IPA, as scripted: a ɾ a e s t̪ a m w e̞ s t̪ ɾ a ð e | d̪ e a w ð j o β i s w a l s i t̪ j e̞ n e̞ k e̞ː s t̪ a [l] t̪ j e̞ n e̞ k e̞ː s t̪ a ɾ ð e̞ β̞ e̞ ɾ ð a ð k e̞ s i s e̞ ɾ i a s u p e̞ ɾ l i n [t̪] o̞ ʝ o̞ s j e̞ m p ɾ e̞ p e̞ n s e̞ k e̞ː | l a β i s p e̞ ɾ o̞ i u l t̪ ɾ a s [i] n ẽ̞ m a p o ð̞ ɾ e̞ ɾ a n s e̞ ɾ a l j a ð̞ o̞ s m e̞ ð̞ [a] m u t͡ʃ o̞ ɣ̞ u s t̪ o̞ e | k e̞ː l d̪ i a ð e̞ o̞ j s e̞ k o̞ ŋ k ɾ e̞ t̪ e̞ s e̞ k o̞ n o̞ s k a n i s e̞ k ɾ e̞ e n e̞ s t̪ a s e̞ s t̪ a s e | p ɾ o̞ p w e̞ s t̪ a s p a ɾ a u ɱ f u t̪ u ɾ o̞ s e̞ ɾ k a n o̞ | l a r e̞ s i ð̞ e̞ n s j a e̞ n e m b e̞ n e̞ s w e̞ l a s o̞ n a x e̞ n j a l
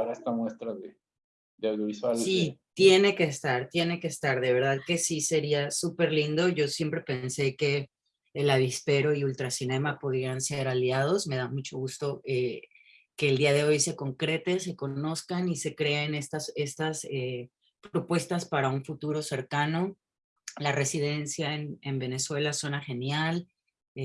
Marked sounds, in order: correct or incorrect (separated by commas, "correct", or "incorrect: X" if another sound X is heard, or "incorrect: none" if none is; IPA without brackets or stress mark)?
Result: incorrect: ɾ, incorrect: d̪, correct, correct